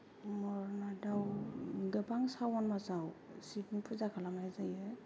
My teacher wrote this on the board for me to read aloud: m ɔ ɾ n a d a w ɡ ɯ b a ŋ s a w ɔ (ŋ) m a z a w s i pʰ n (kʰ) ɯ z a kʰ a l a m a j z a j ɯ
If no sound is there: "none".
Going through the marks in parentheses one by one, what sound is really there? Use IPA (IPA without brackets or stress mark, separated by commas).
n, pʰ